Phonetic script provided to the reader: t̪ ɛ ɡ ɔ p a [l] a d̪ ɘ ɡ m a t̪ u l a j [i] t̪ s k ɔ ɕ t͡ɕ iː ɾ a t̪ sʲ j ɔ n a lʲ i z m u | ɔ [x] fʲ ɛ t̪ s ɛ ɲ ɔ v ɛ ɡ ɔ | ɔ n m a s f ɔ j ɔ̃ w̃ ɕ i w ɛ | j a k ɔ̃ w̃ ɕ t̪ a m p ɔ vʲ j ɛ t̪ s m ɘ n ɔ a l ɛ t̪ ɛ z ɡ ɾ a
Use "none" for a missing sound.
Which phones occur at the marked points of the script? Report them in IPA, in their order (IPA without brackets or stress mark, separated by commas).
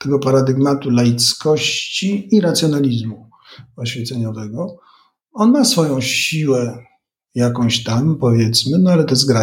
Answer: ɾ, i, ɕ